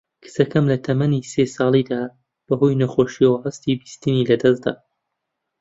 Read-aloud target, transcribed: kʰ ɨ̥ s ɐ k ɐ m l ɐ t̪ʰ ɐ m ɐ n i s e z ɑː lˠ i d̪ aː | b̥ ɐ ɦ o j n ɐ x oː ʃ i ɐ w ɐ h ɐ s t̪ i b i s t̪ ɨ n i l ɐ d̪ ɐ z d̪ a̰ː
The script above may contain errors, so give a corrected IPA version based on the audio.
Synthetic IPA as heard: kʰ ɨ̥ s ɐ k ɐ m l ɐ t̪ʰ ɐ m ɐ n i s e s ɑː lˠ i d̪ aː | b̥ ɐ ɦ o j n ɐ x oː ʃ i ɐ w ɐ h ɐ s t̪ i b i s t̪ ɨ n i l ɐ d̪ ɐ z d̪ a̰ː

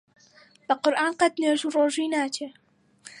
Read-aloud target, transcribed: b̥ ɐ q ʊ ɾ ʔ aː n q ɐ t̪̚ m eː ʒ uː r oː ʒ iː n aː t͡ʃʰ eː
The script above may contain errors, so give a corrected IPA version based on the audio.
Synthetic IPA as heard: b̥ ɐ q ʊ ɾ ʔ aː n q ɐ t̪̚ n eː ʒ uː r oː ʒ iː n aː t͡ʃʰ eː

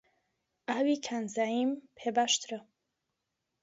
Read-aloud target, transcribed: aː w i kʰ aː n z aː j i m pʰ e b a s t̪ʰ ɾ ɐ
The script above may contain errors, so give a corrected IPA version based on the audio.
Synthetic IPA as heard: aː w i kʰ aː n z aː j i m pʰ e b a ʃ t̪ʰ ɾ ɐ

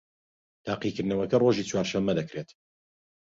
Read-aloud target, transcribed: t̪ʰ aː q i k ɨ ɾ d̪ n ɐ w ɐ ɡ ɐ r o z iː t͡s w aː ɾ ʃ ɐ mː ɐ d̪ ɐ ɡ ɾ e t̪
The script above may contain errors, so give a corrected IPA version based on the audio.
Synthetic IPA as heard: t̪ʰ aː q i k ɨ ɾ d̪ n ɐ w ɐ k ɐ r o ʒ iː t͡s w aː ɾ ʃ ɐ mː ɐ d̪ ɐ k ɾ e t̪

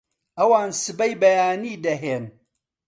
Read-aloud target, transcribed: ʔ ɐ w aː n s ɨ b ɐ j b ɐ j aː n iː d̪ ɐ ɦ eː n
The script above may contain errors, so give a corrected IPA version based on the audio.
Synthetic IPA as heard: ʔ ɐ w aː n s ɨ b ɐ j b ɐ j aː n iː d̪ ɐ ɦ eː n

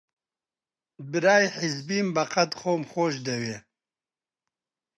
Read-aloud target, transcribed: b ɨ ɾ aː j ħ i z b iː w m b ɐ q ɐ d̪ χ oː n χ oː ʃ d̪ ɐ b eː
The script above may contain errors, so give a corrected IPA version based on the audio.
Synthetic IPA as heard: b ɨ ɾ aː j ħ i z b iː m b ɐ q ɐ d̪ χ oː m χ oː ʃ d̪ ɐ w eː

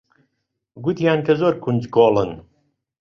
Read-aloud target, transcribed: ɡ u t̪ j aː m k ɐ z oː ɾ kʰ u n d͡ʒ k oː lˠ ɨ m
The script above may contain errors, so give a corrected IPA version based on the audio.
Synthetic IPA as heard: ɡ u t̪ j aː n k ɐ z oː ɾ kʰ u n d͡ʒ k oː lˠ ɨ n

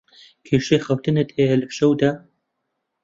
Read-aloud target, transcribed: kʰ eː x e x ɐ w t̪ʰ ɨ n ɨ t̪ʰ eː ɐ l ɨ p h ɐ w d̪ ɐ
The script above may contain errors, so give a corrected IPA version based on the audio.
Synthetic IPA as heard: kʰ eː ʃ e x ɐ w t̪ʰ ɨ n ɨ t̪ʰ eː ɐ l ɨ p ʃ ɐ w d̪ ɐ

